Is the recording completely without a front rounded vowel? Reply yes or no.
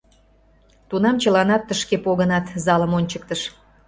yes